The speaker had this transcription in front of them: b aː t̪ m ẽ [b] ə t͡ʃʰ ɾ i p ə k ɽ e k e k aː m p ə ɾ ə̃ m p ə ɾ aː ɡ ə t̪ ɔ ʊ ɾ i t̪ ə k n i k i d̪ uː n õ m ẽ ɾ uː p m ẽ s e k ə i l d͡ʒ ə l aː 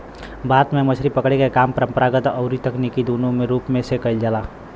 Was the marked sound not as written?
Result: yes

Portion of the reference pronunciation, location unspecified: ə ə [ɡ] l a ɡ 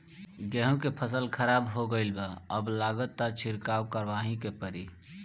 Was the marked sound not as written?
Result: yes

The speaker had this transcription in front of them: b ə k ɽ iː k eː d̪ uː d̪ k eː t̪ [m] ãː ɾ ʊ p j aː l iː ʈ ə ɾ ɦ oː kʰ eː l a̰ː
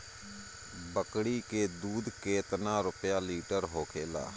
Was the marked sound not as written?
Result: yes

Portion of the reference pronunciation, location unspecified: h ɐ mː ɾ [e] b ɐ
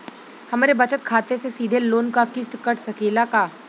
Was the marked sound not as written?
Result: no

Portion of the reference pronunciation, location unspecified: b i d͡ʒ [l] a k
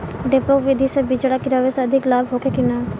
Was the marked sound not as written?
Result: yes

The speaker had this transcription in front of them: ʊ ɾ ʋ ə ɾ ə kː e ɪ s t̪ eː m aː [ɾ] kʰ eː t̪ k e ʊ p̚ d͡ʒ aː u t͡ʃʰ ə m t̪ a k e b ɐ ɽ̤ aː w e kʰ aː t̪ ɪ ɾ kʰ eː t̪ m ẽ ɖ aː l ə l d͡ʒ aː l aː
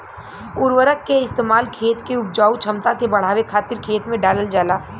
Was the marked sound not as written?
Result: yes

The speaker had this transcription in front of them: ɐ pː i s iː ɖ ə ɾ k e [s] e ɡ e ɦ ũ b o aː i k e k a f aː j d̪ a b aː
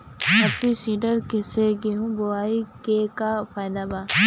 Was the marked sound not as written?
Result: no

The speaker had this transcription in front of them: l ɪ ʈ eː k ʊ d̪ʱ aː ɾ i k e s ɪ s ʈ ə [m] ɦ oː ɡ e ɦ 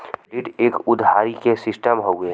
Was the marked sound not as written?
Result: no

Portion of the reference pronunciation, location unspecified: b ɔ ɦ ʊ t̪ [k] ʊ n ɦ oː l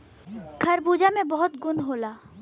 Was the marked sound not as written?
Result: yes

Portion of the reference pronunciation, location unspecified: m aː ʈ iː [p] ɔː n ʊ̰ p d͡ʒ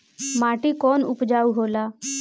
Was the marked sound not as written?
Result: yes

